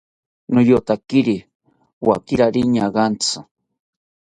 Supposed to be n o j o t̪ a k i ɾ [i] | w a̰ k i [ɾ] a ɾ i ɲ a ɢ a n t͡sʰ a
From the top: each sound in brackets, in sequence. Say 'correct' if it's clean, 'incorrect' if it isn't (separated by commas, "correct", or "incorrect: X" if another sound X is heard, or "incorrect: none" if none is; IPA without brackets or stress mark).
correct, correct